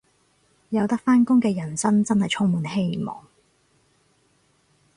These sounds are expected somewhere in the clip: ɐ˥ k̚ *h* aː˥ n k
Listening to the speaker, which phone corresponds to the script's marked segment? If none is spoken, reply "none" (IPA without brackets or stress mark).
f